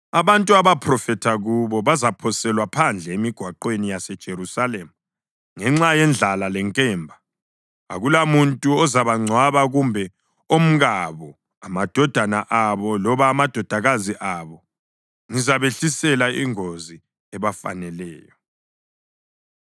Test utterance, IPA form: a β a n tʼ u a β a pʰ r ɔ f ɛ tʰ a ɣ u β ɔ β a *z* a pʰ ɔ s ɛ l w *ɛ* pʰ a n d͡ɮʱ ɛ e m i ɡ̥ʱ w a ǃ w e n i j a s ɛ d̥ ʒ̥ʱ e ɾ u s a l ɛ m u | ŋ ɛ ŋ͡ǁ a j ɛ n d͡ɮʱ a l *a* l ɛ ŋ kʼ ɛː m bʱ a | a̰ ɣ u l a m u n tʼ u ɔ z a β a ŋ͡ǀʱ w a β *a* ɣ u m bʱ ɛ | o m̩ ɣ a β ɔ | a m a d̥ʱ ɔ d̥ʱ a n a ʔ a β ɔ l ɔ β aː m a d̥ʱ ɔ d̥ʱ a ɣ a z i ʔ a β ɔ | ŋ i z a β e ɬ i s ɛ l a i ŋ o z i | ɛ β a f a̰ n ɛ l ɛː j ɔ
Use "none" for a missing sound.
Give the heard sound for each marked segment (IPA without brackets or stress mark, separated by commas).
z, a, a, a